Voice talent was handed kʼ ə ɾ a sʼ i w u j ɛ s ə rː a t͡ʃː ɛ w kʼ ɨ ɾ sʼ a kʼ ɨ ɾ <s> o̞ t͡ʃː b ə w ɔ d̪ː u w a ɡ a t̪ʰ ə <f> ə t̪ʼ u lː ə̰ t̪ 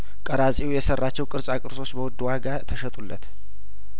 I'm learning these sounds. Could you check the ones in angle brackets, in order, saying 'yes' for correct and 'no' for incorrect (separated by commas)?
yes, no